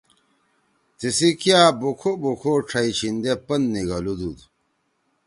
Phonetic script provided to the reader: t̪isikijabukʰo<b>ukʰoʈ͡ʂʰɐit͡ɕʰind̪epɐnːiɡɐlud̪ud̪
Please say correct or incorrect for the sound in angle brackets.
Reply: correct